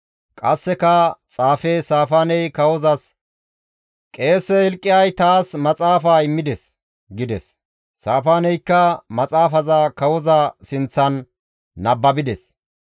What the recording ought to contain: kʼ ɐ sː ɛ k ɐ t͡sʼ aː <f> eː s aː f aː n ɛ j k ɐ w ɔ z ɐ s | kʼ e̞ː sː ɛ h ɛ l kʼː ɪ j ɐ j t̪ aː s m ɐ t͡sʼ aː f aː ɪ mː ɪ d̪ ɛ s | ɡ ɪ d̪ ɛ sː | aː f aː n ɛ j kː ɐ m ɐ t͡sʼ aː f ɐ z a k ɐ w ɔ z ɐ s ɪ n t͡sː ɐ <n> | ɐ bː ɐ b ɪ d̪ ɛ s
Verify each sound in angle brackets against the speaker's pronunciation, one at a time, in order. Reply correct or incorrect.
correct, incorrect: nː

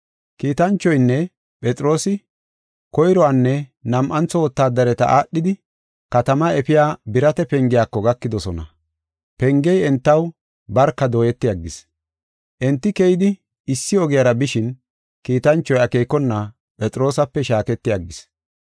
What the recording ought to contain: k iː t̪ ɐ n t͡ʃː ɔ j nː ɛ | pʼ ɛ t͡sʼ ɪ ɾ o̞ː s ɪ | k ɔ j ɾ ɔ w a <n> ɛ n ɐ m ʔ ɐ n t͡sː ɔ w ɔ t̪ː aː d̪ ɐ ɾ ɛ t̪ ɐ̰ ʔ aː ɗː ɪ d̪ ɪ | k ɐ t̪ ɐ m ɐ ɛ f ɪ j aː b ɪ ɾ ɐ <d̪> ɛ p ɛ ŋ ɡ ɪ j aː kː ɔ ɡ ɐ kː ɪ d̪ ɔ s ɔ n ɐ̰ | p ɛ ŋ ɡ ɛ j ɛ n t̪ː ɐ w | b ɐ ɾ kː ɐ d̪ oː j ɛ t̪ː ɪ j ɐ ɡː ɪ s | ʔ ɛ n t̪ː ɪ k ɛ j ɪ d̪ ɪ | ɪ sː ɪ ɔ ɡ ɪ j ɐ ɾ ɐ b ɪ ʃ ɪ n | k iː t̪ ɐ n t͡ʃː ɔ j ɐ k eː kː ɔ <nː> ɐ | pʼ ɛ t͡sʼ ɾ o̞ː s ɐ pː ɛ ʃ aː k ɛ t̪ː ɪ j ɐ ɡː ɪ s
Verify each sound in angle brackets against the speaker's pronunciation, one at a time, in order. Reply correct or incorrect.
incorrect: nː, incorrect: t̪, correct

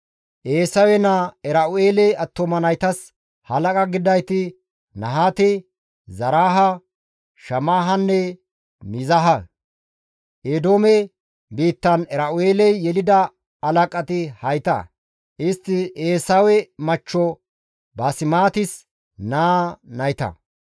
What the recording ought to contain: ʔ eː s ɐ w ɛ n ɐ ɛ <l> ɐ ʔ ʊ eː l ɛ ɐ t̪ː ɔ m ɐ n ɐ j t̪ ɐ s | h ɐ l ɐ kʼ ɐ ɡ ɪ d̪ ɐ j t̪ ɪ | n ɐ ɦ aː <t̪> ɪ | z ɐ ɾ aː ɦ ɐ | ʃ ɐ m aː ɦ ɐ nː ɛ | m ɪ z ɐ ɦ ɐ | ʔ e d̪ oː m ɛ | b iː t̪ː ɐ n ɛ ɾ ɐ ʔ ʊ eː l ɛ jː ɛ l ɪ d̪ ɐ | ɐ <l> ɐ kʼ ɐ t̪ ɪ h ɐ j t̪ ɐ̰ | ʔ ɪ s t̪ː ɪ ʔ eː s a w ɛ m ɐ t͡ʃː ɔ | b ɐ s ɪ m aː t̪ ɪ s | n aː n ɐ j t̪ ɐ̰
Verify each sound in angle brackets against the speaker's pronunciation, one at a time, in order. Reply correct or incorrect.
incorrect: ɾ, correct, correct

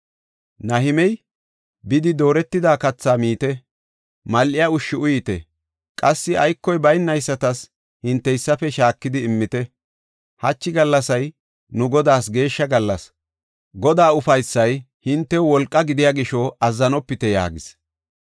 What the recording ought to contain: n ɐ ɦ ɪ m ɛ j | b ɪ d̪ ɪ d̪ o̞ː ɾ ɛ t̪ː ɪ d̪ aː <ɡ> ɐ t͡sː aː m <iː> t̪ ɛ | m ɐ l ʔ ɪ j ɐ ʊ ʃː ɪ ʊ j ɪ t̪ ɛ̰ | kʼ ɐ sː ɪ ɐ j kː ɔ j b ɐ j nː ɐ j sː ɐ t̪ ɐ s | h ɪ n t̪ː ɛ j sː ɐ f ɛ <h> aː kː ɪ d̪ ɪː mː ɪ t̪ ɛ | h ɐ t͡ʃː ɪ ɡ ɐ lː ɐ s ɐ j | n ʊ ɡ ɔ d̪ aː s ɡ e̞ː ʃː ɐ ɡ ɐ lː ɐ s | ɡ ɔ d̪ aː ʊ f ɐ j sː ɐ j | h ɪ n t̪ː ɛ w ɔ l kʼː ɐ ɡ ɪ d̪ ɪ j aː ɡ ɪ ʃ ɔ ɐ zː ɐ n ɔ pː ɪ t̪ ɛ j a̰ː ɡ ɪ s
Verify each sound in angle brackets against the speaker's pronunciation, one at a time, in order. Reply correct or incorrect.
incorrect: k, correct, incorrect: ʃ

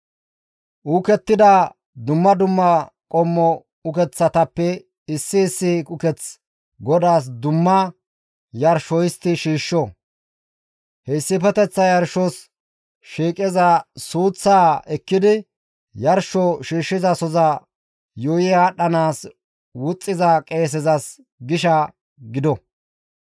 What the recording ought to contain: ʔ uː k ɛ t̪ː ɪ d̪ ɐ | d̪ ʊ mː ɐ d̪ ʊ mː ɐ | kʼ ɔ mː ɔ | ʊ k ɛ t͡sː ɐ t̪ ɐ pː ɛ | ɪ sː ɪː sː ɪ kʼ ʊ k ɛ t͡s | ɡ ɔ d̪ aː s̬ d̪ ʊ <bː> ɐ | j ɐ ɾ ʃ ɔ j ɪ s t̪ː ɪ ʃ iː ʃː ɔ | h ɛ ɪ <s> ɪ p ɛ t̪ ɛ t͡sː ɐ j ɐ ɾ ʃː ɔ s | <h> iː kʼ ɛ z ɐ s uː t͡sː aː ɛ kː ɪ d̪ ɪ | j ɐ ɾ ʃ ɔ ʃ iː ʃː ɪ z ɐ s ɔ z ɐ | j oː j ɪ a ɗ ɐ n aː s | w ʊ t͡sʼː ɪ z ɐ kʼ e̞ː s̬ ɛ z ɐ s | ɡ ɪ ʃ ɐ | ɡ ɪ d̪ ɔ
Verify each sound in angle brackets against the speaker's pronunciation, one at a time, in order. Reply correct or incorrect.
incorrect: mː, incorrect: sː, incorrect: ʃ

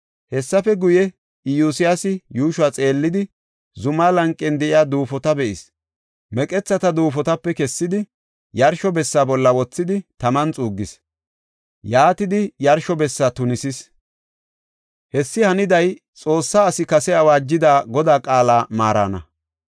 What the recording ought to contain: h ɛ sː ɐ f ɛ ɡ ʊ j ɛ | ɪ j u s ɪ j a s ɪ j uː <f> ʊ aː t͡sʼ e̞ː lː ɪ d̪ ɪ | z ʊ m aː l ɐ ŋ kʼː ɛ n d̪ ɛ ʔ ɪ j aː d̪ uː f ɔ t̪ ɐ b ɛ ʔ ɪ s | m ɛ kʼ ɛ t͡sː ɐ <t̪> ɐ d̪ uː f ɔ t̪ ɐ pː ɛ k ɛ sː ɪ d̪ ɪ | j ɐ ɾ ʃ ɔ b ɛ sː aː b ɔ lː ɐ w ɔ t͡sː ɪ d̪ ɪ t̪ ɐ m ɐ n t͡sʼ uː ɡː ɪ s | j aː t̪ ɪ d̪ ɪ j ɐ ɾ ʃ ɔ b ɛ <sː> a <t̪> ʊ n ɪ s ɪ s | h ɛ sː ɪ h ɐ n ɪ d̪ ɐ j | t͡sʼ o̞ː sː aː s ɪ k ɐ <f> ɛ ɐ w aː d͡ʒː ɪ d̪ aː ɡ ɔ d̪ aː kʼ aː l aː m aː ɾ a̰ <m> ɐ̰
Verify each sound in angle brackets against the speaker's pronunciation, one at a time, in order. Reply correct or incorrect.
incorrect: ʃ, correct, correct, correct, incorrect: s, incorrect: n

